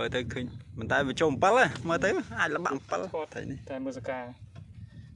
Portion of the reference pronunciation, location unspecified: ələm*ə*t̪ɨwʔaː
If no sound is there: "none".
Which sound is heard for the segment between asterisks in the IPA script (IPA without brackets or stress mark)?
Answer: əː